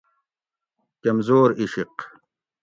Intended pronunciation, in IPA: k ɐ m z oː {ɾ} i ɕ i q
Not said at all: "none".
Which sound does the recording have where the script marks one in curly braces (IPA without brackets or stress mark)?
ɾ